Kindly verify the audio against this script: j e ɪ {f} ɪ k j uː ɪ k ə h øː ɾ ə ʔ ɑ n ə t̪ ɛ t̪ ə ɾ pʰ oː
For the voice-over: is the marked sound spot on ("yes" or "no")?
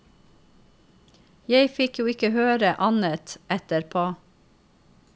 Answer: yes